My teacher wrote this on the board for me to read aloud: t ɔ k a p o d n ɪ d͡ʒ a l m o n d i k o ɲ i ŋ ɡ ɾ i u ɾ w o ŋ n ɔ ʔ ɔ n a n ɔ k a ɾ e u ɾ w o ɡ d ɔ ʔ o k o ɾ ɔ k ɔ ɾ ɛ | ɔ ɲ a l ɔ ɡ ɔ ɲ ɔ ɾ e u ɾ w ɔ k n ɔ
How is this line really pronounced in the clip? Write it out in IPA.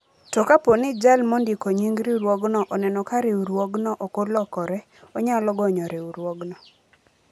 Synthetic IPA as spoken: t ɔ k a p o n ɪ d͡ʒ a l m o n d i k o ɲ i ŋ ɡ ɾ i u ɾ w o ɡ n ɔ ʔ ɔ n ɛ n ɔ k a ɾ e u ɾ w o ɡ n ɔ ʔ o k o l ɔ k ɔ ɾ ɛ | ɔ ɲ a l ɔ ɡ ɔ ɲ ɔ ɾ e u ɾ w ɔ ɡ n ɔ

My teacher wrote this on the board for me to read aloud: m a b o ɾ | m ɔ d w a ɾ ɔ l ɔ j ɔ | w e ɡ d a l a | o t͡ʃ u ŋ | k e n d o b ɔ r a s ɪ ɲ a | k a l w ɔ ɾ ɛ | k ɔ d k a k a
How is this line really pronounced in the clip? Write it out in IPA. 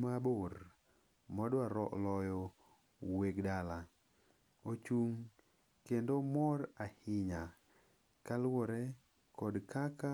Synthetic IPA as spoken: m a b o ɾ | m ɔ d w a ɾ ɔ l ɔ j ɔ | w e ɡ d a l a | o t͡ʃ u ŋ | k e n d o m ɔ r a h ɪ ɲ a | k a l w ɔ ɾ ɛ | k ɔ d k a k a

